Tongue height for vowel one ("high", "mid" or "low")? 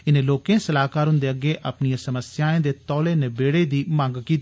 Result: high